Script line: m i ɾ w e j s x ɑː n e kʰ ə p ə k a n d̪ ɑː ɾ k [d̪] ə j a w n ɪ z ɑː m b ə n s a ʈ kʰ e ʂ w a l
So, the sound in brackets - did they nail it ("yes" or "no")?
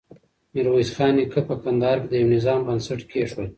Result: yes